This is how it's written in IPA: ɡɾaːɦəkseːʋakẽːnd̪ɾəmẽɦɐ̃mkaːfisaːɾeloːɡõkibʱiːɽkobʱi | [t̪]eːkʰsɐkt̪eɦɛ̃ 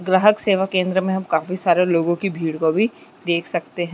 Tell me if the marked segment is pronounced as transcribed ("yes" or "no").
no